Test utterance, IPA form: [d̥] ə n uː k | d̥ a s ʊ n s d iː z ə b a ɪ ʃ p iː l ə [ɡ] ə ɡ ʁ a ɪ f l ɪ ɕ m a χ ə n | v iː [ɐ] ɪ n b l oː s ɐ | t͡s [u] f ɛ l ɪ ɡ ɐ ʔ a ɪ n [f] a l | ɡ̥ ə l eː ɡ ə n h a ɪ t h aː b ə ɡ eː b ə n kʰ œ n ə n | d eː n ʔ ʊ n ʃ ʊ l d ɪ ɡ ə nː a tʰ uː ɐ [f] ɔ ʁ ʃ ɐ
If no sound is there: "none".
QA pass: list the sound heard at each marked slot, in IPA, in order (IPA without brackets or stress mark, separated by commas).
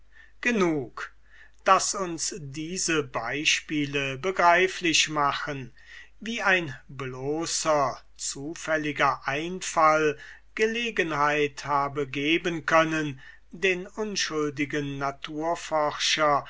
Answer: ɡ̥, b, a, uː, f, f